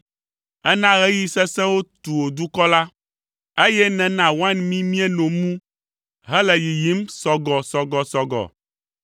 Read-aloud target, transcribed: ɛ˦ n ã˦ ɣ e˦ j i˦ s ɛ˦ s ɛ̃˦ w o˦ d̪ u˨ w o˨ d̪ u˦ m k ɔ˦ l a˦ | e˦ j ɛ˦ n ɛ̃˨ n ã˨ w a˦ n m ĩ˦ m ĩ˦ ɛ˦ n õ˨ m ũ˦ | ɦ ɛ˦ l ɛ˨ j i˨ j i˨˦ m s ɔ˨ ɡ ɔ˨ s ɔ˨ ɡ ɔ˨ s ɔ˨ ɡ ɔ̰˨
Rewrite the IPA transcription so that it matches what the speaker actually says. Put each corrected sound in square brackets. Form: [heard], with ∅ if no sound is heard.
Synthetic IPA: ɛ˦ n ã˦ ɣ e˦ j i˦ s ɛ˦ s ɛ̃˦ w o˦ [t̪] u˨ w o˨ d̪ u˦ [∅] k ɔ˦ l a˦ | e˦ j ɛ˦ n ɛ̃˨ n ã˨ w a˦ n m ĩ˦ m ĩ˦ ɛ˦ n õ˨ m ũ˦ | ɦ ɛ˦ l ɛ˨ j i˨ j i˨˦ m s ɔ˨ ɡ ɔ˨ s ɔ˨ ɡ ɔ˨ s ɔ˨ ɡ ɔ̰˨